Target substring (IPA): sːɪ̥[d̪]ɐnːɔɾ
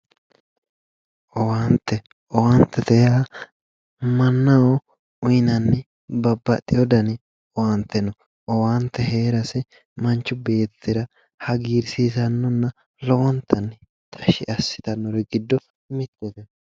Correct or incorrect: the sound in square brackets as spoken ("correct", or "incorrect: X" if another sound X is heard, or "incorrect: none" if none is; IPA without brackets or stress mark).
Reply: incorrect: t̪